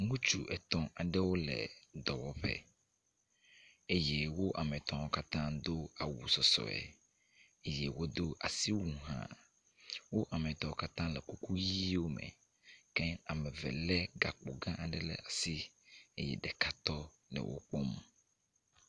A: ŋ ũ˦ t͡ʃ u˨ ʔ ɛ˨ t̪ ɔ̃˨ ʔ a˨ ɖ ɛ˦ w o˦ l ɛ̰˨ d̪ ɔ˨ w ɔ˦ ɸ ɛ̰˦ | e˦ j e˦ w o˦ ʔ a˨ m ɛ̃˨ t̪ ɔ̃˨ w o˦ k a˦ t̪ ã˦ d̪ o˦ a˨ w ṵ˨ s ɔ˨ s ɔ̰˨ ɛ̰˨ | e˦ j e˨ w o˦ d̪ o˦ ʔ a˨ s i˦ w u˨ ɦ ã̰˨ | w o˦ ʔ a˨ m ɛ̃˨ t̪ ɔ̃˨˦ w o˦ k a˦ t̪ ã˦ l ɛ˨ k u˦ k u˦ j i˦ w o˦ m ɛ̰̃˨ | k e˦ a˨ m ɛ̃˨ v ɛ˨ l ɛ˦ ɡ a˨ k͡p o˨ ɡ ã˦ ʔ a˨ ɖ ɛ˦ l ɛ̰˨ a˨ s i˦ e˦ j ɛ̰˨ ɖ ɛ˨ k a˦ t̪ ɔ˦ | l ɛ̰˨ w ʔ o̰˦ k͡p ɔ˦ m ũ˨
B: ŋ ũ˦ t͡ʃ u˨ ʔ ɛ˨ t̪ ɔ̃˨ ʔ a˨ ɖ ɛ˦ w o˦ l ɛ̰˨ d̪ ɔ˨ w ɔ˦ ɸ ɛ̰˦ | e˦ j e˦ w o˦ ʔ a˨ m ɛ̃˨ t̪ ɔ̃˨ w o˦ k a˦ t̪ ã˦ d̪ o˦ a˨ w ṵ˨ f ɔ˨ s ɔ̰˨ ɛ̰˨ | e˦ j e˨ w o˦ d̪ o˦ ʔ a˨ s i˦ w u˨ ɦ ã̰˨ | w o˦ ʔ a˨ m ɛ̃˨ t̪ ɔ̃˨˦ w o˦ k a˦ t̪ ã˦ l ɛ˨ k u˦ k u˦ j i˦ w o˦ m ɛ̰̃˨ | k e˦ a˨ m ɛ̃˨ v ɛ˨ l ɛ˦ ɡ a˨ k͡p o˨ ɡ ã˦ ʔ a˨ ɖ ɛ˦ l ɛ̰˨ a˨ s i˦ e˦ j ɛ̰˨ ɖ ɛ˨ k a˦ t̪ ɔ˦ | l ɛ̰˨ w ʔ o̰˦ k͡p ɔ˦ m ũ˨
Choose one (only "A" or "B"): A